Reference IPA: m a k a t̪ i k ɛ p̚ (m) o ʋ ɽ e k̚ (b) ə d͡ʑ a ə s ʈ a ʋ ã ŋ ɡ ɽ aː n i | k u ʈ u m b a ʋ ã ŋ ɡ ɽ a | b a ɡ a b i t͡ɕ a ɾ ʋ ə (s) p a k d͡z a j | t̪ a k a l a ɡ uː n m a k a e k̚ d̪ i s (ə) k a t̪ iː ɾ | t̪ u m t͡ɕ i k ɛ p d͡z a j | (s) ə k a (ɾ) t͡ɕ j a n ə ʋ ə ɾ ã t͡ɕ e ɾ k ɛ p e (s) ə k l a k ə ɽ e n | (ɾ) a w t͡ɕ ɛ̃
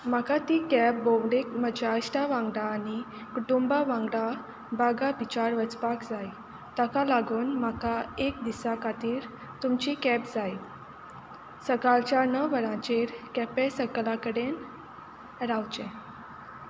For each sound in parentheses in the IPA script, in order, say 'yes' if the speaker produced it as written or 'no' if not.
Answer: no, no, no, no, yes, no, yes, yes

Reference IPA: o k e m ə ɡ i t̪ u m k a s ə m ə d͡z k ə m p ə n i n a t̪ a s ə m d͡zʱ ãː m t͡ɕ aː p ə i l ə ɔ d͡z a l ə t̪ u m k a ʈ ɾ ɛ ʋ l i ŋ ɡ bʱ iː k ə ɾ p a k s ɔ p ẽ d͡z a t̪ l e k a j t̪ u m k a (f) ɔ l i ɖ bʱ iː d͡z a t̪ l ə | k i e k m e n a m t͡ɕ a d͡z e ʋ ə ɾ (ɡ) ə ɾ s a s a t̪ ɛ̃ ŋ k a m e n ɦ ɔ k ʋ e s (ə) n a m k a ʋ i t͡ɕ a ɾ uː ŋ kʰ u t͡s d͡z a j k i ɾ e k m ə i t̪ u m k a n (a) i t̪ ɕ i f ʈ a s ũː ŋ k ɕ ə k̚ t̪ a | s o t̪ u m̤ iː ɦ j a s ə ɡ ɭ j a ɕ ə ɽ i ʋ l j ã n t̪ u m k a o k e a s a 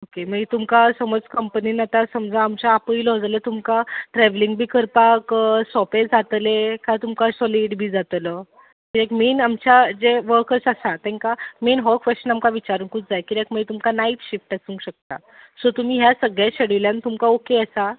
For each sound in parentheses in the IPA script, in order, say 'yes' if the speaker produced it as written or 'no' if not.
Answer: no, no, yes, yes

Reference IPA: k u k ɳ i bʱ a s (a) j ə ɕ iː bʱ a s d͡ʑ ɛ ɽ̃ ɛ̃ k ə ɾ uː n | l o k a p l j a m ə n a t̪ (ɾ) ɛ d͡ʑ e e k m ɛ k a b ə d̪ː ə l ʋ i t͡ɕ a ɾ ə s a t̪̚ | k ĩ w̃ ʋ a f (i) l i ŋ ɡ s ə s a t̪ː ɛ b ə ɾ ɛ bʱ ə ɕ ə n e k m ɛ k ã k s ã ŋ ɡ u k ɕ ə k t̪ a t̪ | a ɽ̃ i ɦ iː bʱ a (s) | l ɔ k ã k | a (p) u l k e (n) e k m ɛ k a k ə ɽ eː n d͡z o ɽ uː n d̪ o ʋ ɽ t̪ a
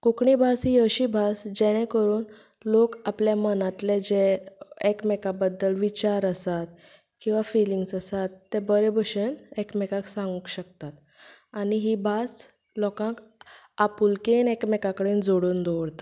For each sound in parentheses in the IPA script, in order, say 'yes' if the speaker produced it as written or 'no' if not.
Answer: no, no, yes, yes, yes, yes

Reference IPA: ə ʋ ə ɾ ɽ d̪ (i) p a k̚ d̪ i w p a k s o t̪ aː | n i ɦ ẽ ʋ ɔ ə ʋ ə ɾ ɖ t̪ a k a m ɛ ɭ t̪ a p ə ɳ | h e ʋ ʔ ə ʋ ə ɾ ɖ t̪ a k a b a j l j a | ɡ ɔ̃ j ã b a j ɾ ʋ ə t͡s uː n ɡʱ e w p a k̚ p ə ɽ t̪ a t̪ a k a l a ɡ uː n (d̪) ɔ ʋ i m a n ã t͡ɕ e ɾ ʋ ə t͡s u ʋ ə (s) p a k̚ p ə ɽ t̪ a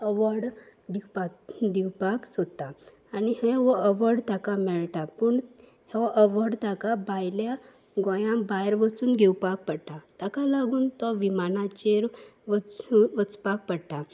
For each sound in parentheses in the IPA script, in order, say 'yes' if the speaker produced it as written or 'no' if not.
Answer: yes, no, no

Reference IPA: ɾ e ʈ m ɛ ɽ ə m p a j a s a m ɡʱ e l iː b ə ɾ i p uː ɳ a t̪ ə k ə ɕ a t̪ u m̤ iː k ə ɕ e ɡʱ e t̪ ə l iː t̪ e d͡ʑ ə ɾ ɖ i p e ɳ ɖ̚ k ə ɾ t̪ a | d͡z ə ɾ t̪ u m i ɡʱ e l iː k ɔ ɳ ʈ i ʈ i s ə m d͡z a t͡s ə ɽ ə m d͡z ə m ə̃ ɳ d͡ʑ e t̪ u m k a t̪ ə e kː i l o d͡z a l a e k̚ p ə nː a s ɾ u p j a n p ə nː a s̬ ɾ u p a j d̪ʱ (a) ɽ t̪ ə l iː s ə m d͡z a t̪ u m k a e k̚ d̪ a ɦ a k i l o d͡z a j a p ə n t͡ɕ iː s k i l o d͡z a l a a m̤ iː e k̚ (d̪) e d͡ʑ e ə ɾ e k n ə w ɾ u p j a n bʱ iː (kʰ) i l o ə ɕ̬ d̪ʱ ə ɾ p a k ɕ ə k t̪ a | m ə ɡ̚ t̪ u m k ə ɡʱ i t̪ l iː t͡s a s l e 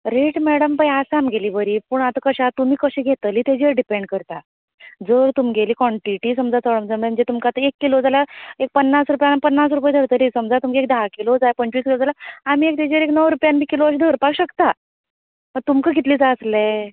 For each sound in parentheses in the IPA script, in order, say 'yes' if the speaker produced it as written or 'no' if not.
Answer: no, no, no

